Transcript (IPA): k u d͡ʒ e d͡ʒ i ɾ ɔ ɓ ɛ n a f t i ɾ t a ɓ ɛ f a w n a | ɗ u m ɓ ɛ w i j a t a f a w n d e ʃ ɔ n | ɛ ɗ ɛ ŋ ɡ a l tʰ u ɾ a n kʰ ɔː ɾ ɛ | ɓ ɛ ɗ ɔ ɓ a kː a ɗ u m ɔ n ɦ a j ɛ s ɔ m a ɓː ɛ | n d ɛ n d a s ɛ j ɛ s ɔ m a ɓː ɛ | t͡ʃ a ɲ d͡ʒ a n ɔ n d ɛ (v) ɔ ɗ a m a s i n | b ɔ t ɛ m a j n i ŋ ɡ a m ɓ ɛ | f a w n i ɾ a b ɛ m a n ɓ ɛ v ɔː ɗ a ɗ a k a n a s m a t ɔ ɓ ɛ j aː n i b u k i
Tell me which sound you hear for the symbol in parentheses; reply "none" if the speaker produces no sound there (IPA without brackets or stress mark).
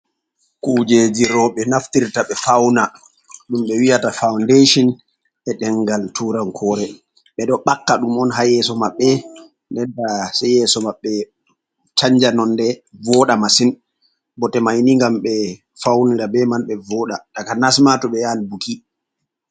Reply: v